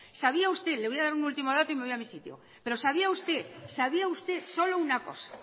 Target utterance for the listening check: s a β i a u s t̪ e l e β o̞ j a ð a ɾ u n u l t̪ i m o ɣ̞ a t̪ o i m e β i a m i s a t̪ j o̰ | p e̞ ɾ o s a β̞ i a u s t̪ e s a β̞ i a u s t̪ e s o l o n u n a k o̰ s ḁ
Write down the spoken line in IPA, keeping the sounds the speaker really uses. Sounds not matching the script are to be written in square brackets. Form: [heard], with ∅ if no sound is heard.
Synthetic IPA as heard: s a β i a u s t̪ e l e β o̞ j a ð a ɾ u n u l t̪ i m o [ð̞] a t̪ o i m e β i a m i s [i] t̪ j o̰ | p e̞ ɾ o s a β̞ i a u s t̪ e s a β̞ i a u s t̪ e s o l o [∅] u n a k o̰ s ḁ